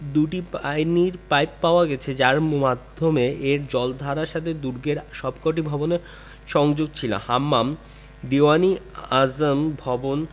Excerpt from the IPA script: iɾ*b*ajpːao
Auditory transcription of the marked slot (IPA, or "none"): p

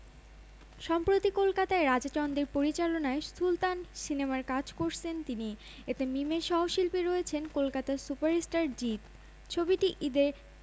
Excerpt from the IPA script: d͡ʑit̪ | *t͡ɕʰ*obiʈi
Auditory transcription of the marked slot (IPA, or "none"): t͡ɕʰ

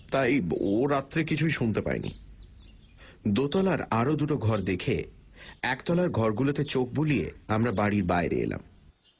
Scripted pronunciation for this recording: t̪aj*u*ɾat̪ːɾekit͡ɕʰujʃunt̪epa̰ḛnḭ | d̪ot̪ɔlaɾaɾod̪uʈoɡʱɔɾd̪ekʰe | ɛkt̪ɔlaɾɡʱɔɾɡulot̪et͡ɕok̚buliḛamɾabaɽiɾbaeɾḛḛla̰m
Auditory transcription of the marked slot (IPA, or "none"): o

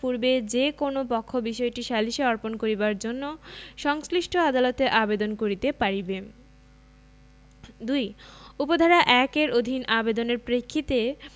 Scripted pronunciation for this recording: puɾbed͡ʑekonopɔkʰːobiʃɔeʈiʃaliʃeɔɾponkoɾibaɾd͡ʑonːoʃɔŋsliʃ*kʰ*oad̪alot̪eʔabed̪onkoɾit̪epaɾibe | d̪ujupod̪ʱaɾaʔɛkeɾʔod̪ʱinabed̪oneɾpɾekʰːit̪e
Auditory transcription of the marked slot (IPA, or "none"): ʈʰ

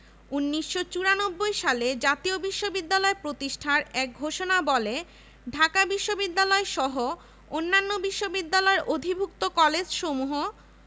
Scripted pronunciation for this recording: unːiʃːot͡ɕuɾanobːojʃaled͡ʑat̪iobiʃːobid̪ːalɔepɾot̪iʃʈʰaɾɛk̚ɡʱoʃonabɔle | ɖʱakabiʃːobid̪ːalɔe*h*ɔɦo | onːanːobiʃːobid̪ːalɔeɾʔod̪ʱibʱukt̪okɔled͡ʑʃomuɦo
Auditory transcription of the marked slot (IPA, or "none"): ʃ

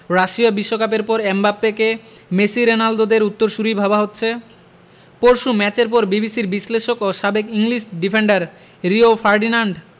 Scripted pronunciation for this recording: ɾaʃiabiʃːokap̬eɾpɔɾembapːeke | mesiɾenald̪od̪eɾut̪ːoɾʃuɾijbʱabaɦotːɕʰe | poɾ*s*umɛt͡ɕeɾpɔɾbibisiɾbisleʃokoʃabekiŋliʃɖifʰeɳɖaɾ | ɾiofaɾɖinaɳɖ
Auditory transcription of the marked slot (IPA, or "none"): ʃ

